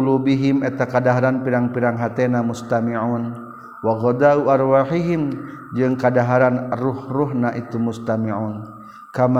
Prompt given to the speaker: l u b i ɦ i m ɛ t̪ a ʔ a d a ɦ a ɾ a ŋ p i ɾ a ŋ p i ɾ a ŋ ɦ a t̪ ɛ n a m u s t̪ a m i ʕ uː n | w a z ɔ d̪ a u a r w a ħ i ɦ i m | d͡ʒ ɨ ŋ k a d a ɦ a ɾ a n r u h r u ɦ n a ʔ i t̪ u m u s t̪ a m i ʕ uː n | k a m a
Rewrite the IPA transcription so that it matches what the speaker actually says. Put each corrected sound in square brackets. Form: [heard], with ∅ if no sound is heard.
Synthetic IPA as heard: l u b i ɦ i m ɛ t̪ a [k] a d a ɦ a ɾ a [n] p i ɾ a ŋ p i ɾ a ŋ ɦ a t̪ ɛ n a m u s t̪ a m i ʕ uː n | w a [ɣ] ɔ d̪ a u a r w a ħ i ɦ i m | d͡ʒ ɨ ŋ k a d a ɦ a ɾ a n r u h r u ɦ n a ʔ i t̪ u m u s t̪ a m i ʕ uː n | k a m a